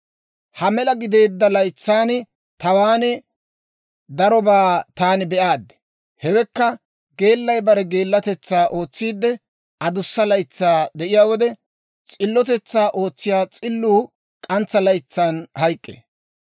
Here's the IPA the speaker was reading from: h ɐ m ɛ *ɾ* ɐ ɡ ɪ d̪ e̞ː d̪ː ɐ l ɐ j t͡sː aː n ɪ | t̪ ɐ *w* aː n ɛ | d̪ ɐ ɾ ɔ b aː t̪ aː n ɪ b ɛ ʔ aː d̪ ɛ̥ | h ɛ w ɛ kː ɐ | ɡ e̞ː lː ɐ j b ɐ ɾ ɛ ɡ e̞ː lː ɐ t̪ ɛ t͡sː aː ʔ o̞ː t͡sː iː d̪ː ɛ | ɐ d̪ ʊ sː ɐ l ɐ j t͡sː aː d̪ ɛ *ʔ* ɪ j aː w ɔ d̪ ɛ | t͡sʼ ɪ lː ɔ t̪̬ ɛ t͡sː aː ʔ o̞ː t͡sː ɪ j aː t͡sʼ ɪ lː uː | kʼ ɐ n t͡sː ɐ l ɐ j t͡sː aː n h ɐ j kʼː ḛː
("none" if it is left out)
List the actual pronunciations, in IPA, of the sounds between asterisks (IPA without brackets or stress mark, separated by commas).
l, w, ʔ